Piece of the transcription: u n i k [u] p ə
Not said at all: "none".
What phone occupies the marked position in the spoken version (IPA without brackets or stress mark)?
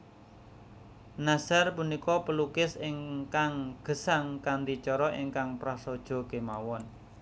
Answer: ɔ